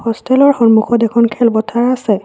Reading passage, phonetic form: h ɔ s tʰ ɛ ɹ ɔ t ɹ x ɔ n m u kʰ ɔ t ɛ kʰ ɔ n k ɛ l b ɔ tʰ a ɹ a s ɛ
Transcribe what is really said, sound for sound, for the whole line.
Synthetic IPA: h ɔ s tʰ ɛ l ɔ ɹ x ɔ n m u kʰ ɔ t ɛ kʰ ɔ n kʰ ɛ l b ɔ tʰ a ɹ a s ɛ